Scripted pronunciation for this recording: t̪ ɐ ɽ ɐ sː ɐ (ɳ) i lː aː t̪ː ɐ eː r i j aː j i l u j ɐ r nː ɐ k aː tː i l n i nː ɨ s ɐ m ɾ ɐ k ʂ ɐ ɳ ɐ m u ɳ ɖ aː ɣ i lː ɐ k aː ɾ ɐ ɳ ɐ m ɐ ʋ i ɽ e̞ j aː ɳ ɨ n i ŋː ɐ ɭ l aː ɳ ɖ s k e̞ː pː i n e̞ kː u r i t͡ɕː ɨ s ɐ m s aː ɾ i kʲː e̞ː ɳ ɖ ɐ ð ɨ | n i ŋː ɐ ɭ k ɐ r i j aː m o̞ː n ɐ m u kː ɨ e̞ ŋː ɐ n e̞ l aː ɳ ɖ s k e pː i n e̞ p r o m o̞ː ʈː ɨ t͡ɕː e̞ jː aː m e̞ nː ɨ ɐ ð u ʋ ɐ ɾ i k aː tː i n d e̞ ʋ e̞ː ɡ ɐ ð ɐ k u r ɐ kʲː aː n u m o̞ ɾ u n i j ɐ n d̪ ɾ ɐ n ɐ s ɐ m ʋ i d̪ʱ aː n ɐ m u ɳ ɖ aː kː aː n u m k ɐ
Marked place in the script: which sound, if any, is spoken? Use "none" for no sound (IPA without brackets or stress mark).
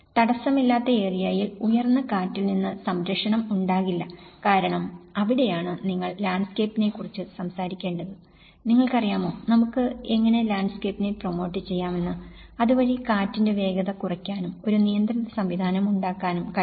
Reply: m